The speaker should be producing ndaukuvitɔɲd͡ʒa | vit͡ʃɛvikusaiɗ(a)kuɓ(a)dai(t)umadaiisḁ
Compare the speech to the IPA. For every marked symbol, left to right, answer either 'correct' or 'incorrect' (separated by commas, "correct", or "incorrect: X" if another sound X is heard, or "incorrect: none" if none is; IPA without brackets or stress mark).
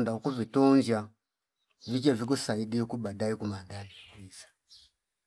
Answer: incorrect: i, correct, incorrect: k